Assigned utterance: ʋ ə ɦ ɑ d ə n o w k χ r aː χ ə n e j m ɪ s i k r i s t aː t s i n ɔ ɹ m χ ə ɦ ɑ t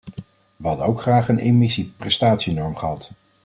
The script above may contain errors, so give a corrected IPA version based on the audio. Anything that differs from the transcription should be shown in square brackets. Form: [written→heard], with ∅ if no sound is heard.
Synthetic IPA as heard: ʋ ə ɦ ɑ d ə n o w k χ r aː χ ə n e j m ɪ s i [k→p] r [i→ɛ] s t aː t s i n ɔ ɹ m χ ə ɦ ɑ t